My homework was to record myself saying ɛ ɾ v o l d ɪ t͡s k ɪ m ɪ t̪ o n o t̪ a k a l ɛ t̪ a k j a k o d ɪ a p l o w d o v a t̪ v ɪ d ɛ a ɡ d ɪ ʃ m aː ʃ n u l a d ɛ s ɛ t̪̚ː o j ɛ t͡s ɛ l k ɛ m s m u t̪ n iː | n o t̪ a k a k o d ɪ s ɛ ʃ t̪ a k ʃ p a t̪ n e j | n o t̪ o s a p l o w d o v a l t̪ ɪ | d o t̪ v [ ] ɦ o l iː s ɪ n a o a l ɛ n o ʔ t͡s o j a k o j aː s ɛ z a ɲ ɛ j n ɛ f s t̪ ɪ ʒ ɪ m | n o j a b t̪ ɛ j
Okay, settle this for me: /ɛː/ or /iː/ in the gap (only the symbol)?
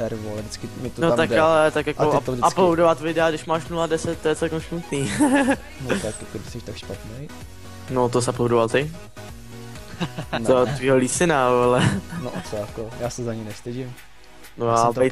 iː